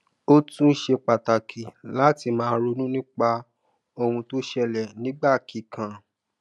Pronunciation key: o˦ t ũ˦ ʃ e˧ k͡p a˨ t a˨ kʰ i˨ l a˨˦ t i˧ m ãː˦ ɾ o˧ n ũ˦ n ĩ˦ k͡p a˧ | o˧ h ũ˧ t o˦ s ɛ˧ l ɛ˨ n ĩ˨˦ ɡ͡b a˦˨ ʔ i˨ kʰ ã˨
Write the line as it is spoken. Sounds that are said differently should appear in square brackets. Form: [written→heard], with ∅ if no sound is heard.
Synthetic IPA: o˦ t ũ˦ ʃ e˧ k͡p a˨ t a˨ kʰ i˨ l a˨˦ t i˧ m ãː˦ ɾ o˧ n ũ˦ n ĩ˦ k͡p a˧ | o˧ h ũ˧ t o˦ [s→ʃ] ɛ˧ l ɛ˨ n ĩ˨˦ ɡ͡b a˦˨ [ʔ→k] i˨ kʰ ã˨